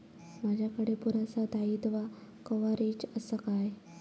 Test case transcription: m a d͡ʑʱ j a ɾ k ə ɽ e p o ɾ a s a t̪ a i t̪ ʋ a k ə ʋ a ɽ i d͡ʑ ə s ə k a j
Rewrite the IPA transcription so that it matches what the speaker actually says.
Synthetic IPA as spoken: m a d͡ʑʱ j a k ə ɽ e p u ɾ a s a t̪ a i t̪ ʋ a k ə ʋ a ɾ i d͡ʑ ə s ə k a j